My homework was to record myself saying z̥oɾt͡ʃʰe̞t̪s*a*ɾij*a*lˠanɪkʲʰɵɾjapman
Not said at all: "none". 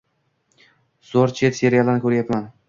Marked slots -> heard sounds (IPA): e, a

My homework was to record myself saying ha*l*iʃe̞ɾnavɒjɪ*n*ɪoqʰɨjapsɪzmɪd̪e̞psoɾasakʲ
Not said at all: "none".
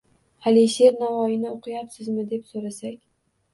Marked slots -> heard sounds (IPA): l, n

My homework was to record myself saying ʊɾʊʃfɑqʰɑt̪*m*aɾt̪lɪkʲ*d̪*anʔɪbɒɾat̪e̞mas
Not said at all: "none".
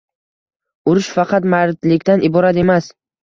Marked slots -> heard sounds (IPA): m, t̪

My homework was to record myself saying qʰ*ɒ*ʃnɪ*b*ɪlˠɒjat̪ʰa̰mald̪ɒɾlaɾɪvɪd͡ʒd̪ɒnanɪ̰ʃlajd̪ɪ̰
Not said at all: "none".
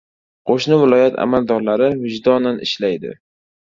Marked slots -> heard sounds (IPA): o, v

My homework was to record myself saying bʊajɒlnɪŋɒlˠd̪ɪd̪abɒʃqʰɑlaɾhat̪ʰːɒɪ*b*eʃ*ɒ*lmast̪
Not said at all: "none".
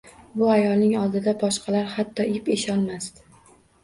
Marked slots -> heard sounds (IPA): p, ɒ

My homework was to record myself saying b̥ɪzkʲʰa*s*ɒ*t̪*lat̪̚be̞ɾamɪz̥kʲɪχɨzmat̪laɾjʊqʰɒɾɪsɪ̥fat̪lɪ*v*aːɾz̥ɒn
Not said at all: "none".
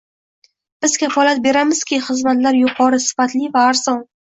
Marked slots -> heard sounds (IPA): f, none, v

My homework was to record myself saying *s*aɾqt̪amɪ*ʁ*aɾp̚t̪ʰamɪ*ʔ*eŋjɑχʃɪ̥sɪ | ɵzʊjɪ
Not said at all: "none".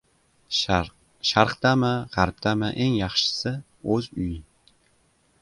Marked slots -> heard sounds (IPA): ʃ, ʁ, ʔ

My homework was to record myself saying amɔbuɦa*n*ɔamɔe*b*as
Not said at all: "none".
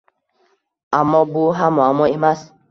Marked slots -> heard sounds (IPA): m, m

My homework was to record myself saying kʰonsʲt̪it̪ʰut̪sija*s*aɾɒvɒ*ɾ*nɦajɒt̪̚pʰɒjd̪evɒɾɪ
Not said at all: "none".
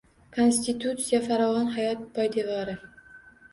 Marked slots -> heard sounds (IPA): f, none

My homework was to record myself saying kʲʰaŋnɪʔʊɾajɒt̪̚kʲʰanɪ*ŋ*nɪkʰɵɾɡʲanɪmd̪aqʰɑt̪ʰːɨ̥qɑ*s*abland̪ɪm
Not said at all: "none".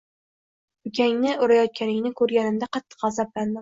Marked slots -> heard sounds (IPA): ŋ, z

